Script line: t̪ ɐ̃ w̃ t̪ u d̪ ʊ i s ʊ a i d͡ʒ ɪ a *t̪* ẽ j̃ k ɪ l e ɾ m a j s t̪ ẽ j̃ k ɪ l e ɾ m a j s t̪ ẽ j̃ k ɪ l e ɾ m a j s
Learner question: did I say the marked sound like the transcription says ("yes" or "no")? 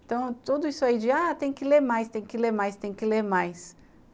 yes